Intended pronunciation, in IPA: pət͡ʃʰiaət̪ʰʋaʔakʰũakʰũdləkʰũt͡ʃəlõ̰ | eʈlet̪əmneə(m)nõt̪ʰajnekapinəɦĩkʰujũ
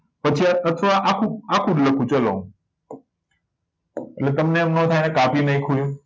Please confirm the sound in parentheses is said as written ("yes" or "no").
yes